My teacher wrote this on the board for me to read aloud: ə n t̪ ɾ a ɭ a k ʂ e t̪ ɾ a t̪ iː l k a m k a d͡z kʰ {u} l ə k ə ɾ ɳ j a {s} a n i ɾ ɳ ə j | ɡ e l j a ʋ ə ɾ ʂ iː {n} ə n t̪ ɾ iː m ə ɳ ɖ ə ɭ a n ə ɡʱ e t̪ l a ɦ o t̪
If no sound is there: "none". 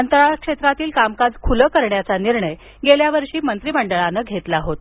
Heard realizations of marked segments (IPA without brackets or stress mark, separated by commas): u, t͡s, m